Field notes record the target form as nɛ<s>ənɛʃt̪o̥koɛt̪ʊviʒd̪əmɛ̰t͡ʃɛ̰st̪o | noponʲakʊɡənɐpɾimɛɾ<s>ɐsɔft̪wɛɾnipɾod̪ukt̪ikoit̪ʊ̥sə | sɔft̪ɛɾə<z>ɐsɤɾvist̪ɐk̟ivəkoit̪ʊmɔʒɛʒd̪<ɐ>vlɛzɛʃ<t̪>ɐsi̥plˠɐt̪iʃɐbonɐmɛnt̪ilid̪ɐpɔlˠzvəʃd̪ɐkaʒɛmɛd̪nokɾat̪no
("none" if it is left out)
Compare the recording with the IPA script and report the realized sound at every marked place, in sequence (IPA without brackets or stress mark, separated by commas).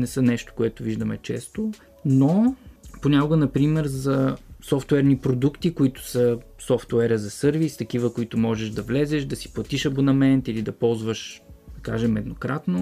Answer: s, z, z, ɐ, d̪